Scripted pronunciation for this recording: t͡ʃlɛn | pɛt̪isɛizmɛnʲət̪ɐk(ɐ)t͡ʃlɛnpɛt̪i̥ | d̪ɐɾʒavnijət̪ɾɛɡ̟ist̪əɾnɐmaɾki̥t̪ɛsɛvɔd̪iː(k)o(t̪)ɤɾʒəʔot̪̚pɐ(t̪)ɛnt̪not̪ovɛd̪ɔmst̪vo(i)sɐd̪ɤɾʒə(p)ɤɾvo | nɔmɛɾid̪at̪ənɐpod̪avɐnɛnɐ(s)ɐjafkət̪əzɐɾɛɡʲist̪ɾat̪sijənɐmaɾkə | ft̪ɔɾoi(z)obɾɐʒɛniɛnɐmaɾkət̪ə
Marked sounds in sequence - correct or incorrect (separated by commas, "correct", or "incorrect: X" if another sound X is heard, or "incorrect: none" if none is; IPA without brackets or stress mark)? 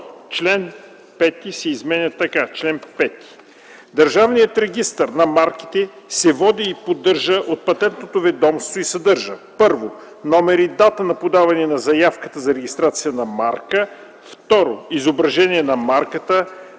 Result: incorrect: a, incorrect: p, incorrect: d̪, correct, correct, correct, incorrect: z, correct